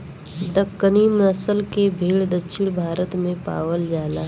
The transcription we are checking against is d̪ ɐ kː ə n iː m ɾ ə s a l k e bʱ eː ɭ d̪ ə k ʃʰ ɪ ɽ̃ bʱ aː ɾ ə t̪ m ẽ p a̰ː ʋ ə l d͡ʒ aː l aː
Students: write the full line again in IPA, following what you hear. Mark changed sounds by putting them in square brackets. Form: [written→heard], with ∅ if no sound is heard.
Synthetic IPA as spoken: d̪ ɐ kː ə n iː m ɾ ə s [a→ə] l k e bʱ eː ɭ d̪ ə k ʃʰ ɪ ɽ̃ bʱ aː ɾ ə t̪ m ẽ p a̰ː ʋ ə l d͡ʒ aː l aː